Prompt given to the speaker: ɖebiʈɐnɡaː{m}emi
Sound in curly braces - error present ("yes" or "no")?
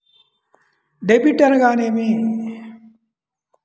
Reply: yes